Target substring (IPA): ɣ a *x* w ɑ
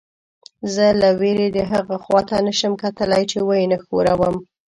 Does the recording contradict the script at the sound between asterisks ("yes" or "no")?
no